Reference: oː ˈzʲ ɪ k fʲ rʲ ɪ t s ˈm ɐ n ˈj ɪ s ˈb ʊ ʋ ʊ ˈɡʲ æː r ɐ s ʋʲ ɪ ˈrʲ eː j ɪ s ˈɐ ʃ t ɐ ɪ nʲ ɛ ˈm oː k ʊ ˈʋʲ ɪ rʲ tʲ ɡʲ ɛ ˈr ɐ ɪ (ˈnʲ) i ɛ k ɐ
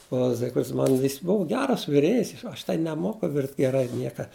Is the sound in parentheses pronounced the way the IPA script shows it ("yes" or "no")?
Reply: yes